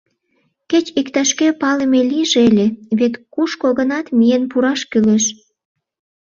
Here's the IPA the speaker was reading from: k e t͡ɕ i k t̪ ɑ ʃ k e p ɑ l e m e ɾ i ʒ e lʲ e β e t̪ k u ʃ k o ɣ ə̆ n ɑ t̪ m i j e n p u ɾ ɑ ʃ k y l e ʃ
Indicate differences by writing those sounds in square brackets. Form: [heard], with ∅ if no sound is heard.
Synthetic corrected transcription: k e t͡ɕ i k t̪ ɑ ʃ k e p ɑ l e m e [l] i ʒ e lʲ e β e t̪ k u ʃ k o ɣ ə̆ n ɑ t̪ m i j e n p u ɾ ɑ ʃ k y l e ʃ